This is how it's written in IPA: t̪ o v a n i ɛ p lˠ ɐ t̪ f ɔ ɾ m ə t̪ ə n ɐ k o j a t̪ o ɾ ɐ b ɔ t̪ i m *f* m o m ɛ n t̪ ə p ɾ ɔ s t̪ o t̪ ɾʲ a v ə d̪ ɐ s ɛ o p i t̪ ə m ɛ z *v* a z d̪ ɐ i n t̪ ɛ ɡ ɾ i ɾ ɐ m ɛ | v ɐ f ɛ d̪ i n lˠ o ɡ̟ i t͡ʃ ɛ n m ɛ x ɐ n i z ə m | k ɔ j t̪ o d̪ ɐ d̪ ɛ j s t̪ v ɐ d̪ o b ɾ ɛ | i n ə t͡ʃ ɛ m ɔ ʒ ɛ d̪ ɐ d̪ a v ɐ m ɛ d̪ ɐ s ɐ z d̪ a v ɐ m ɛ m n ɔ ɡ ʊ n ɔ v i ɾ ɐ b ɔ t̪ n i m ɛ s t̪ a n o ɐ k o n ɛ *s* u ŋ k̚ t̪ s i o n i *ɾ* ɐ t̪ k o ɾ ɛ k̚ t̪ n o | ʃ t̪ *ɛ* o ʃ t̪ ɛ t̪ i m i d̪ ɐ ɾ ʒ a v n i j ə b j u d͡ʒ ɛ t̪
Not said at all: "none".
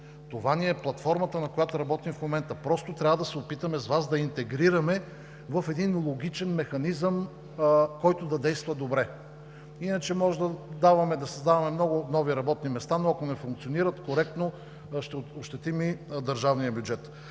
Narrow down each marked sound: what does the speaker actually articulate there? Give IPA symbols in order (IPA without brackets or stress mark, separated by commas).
f, v, f, ɾ, ɛ